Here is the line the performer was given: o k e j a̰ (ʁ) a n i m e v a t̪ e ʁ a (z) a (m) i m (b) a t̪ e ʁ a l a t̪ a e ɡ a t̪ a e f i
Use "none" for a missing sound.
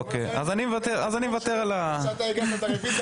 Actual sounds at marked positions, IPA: z, z, n, v

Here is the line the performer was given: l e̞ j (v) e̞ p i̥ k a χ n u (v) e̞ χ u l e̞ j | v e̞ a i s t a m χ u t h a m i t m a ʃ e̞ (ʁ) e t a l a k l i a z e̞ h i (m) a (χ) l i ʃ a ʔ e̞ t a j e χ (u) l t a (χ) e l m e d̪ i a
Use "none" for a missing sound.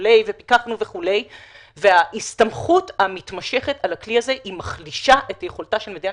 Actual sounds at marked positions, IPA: v, v, χ, m, χ, o, ʃ

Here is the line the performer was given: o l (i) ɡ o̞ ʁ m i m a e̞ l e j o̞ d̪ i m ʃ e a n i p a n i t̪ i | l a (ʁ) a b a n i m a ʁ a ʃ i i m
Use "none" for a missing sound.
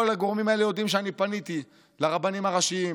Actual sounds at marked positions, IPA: a, ʁ

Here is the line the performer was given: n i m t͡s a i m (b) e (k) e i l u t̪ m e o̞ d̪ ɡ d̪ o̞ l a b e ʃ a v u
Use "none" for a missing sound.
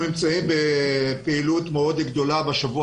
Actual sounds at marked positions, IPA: b, p

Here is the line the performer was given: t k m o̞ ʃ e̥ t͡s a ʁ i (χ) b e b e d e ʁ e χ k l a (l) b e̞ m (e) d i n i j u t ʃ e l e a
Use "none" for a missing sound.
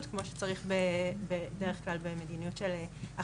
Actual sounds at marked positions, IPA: χ, l, e

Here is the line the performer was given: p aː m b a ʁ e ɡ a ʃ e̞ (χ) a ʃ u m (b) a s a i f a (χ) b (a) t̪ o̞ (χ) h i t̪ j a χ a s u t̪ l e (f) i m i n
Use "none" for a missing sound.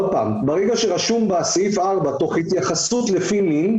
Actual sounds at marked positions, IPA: ʁ, b, ʁ, a, χ, f

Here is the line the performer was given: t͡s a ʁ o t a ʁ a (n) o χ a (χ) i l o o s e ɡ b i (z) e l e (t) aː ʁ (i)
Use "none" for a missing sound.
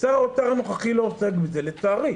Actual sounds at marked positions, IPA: n, χ, z, t͡s, i

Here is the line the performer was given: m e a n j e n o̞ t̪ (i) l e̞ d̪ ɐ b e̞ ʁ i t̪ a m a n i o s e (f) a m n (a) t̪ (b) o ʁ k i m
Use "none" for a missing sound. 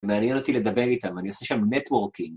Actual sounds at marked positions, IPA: i, ʃ, e, w

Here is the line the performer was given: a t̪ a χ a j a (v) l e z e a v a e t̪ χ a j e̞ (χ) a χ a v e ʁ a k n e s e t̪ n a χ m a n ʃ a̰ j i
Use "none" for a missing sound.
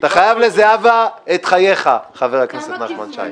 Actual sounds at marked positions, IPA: v, χ

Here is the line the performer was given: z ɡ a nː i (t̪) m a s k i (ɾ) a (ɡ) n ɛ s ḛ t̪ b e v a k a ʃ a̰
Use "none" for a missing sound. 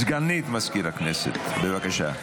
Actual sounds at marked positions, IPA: t̪, ɾ, k

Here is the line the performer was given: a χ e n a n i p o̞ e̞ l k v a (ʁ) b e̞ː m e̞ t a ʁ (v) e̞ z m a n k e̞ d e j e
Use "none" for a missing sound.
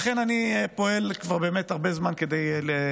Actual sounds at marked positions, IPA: ʁ, b

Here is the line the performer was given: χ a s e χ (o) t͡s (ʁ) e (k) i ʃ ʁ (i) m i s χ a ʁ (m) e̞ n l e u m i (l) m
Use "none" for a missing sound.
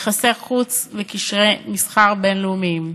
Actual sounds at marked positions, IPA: u, v, k, e, b, none

